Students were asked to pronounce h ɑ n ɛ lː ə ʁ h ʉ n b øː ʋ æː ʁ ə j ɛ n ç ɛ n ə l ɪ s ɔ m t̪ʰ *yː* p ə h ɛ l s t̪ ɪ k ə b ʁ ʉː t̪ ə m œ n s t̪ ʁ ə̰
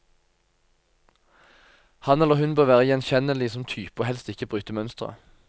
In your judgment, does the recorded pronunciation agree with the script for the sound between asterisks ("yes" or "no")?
yes